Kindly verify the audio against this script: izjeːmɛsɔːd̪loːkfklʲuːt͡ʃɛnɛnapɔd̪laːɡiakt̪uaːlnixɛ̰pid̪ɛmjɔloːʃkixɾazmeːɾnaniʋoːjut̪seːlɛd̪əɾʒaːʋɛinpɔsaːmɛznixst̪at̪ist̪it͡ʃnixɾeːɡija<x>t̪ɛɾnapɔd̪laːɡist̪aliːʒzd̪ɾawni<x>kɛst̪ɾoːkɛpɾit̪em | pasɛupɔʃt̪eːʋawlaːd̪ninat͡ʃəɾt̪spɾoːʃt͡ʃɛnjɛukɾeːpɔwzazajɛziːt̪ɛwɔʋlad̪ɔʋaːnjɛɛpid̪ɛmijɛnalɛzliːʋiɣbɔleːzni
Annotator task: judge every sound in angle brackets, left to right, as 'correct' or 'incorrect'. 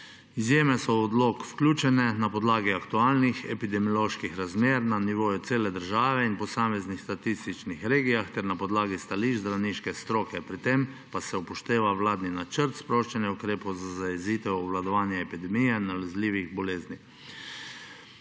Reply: correct, incorrect

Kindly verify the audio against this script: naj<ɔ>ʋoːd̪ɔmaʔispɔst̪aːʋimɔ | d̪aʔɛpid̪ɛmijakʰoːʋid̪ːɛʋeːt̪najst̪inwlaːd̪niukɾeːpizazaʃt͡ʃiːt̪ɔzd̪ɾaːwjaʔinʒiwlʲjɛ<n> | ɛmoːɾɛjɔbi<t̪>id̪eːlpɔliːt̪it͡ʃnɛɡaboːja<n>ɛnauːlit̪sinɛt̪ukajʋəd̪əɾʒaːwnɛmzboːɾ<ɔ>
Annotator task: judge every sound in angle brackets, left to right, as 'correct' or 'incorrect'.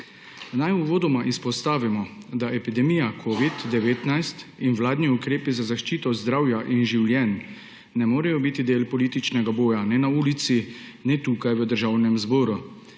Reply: incorrect, incorrect, correct, correct, incorrect

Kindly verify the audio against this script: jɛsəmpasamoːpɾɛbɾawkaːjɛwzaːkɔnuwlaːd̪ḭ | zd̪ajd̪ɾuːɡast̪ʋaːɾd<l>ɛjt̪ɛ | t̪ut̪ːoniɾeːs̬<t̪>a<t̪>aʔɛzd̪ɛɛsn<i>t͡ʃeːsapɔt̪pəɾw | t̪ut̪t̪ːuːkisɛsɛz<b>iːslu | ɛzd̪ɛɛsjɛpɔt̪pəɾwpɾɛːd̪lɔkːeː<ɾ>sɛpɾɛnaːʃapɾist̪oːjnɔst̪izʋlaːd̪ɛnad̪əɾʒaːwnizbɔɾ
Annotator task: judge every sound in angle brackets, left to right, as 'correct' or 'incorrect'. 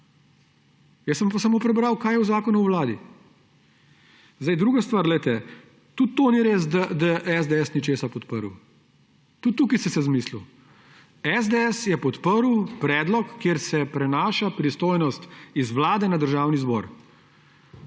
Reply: correct, incorrect, incorrect, correct, incorrect, correct

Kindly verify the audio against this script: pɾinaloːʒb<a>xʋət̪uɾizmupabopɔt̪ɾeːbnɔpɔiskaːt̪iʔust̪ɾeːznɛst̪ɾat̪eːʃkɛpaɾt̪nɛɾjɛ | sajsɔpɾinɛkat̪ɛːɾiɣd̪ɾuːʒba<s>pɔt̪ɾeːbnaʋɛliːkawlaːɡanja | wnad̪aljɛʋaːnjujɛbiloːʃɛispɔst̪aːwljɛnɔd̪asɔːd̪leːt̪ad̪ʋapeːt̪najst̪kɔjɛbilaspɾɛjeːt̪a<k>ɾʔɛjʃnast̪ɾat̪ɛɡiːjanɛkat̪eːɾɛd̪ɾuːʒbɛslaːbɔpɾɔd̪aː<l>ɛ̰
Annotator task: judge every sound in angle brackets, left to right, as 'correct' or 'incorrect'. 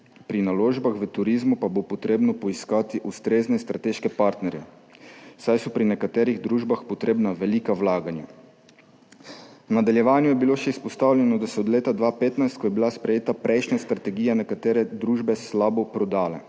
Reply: correct, incorrect, incorrect, correct

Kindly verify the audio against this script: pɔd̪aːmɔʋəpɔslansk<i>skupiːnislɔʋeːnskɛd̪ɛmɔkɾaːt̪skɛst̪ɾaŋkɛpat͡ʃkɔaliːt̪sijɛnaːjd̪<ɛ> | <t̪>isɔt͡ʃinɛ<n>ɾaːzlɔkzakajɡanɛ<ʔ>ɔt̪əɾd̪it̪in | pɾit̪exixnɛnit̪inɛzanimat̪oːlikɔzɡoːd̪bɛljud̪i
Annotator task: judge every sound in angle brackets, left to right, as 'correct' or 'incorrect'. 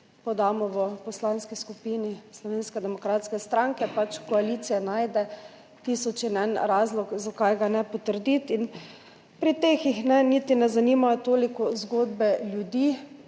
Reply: correct, correct, correct, correct, incorrect

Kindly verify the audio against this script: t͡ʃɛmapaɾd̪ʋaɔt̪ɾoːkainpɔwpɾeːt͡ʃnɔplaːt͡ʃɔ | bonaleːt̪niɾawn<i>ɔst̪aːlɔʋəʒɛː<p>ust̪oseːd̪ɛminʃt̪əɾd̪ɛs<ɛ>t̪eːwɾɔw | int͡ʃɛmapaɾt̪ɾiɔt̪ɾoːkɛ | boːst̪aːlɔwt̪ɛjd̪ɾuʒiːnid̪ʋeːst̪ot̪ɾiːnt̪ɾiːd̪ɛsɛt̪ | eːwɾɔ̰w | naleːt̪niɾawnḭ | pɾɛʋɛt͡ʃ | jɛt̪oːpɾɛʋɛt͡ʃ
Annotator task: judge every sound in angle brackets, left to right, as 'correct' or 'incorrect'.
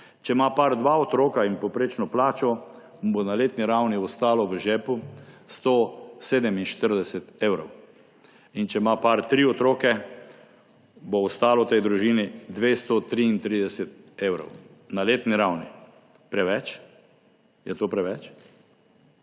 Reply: correct, correct, correct

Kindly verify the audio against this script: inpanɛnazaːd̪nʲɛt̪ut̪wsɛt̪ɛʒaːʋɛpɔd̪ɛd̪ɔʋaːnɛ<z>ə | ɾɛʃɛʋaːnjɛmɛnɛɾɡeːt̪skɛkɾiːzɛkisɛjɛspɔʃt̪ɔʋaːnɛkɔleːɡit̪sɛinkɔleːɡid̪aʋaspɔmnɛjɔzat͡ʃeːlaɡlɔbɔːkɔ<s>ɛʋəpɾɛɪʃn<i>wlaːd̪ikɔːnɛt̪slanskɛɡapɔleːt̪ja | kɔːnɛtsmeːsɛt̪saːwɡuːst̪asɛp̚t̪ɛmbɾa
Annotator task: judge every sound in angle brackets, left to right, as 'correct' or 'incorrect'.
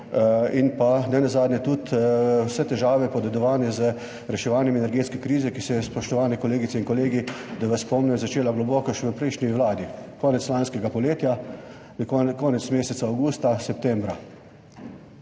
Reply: correct, incorrect, correct

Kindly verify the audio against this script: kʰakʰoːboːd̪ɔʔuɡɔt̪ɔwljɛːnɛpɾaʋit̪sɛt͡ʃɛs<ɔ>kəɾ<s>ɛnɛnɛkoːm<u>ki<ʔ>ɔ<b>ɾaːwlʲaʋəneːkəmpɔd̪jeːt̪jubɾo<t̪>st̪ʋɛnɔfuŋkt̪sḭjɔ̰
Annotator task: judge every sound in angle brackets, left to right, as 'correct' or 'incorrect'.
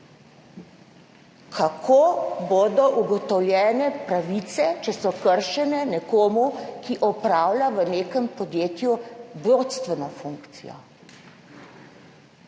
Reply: correct, incorrect, correct, correct, incorrect, correct

